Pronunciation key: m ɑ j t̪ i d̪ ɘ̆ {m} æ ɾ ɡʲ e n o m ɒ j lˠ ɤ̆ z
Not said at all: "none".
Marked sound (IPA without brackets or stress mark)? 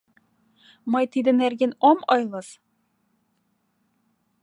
n